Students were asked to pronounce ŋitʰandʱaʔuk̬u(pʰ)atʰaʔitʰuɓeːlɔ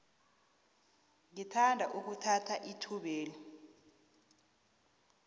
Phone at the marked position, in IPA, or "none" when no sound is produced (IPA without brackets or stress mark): tʰ